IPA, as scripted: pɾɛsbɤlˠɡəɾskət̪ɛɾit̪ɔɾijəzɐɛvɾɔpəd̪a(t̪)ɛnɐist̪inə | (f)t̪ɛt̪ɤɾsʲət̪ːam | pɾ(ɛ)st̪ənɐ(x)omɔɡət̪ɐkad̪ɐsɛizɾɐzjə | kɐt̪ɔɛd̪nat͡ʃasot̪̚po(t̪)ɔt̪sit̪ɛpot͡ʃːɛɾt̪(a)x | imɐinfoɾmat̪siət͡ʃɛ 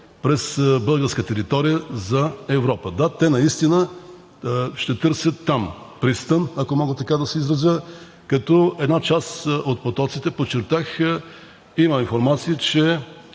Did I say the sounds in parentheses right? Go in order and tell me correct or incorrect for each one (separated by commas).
correct, incorrect, incorrect, incorrect, correct, correct